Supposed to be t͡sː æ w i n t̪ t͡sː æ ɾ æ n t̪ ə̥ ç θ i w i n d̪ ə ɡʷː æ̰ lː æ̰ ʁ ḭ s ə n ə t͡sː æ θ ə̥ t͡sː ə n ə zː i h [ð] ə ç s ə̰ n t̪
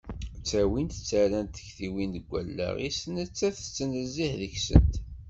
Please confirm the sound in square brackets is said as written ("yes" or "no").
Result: yes